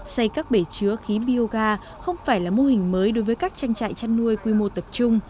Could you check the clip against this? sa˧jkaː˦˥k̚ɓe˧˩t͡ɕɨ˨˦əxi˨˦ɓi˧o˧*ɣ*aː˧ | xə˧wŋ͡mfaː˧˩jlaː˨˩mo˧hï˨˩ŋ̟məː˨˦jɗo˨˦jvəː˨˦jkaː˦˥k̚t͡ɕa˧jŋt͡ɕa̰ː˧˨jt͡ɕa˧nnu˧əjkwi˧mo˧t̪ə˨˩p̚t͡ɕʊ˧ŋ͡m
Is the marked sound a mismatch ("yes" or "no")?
no